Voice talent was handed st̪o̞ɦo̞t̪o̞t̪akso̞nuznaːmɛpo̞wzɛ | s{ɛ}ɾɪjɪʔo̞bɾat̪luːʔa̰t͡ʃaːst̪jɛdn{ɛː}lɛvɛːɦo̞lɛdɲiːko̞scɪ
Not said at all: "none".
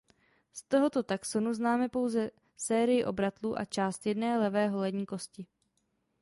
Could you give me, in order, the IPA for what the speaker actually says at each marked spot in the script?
ɛː, ɛː

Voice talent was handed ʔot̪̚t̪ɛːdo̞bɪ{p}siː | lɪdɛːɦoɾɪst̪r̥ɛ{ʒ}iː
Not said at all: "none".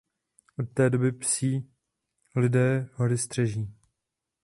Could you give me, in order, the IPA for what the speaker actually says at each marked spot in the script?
p, ʒ

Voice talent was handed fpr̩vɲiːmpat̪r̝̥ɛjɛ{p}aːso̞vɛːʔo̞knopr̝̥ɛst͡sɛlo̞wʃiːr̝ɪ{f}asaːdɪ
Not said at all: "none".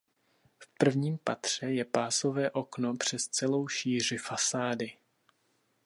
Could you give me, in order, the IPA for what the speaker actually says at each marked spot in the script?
p, f

